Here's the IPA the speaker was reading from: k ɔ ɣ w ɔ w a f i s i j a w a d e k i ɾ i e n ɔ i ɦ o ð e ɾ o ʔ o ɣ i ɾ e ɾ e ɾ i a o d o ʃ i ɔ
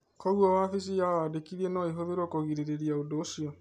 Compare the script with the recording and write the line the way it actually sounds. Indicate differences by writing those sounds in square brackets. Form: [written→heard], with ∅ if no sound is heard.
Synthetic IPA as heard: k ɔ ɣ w ɔ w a f i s i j a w a d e k i ɾ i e n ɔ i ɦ o ð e ɾ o [ʔ→k] o ɣ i ɾ e ɾ e ɾ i a o d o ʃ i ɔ